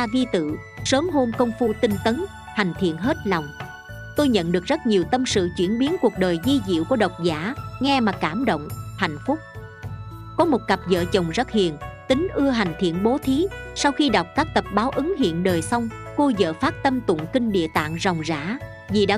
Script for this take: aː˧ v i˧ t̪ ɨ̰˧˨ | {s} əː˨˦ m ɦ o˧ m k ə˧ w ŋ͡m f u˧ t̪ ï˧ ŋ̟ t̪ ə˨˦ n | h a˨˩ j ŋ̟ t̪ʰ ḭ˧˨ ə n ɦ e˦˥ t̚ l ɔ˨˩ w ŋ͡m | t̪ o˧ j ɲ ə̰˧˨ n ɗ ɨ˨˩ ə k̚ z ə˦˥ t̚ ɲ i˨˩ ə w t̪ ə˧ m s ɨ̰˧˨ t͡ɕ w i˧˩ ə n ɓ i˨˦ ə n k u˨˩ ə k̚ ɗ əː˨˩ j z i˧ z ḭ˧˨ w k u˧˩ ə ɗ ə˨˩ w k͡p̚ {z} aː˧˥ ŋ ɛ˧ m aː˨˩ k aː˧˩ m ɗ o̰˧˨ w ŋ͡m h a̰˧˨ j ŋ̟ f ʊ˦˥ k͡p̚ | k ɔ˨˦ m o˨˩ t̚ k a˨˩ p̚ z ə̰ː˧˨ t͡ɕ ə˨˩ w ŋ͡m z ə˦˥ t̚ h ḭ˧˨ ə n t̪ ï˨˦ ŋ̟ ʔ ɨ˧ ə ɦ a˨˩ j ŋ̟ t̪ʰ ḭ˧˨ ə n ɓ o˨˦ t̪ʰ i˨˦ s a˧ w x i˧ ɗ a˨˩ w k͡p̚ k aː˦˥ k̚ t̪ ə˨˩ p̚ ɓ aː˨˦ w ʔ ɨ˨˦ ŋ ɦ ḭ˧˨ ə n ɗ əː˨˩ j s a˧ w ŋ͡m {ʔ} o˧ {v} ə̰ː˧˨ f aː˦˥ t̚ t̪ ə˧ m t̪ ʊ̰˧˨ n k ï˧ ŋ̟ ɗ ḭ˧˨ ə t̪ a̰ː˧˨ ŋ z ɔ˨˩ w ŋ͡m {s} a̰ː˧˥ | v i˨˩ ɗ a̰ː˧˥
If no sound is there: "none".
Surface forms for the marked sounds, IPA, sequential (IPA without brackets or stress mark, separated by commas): s, z, k, z, z